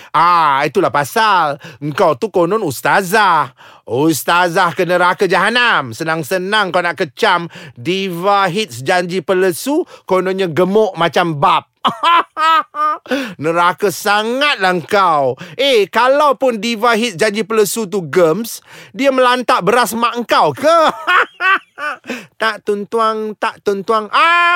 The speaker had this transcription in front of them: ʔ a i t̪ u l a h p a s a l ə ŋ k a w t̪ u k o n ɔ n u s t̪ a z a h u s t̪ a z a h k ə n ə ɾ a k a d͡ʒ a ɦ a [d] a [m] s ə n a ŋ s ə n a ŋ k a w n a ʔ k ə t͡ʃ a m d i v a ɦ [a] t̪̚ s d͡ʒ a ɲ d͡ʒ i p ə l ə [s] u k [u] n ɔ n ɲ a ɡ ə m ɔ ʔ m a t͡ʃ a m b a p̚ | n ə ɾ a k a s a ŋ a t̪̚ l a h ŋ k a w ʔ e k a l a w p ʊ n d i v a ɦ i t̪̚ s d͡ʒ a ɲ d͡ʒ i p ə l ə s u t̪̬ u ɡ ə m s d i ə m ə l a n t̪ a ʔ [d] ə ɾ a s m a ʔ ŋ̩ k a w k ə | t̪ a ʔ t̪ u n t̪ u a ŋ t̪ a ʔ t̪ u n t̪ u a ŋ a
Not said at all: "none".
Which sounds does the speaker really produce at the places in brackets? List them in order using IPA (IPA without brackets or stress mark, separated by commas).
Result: n, m, i, s, o, b